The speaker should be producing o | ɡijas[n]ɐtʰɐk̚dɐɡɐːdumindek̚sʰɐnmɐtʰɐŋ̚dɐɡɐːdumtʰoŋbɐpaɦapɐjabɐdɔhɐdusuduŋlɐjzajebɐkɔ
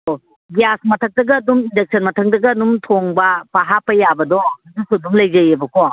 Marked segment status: incorrect: m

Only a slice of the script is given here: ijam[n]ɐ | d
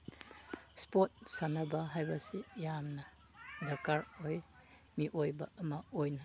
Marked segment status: correct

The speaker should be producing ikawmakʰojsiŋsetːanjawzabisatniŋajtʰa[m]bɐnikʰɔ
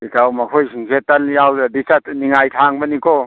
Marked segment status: incorrect: ŋ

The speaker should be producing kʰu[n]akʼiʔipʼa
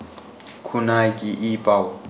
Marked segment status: correct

